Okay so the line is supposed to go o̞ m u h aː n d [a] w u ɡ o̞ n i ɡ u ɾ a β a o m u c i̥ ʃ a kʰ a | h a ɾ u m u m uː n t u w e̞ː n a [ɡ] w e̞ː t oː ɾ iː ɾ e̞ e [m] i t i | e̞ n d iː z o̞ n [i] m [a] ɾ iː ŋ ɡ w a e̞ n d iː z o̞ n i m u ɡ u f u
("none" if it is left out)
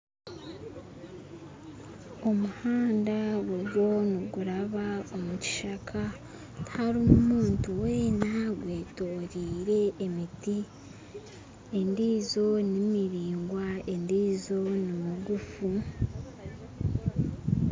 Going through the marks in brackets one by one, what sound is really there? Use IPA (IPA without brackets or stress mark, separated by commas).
a, ɡ, m, i, i